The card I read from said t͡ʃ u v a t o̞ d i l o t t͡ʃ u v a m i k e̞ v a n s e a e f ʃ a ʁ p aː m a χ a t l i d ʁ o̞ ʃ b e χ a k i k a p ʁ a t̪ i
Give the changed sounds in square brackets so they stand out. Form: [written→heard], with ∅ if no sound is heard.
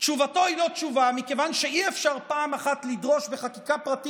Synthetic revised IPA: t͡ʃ u v a t o̞ [d→∅] i l o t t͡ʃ u v a m i k e̞ v a n [s→ʃ] e [a→i] e f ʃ a ʁ p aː m a χ a t l i d ʁ o̞ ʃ b e χ a k i k a p ʁ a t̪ i